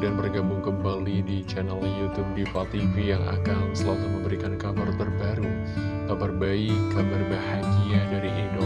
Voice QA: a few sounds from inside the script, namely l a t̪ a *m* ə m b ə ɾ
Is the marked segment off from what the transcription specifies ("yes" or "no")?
no